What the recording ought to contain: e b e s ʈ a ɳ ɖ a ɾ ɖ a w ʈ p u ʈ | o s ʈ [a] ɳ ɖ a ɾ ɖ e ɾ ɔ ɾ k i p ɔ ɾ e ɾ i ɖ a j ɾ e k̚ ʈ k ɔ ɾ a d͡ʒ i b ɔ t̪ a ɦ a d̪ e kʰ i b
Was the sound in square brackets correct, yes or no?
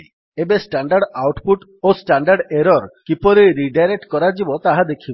yes